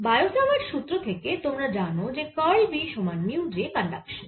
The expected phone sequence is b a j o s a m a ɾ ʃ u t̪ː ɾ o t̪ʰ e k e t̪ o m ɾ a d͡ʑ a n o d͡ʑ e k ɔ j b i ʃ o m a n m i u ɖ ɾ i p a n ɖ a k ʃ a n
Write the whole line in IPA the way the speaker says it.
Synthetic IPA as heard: b a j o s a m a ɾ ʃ u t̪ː ɾ o t̪ʰ e k e t̪ o m ɾ a d͡ʑ a n o d͡ʑ e k ɔ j b i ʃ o m a n m i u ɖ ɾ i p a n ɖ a k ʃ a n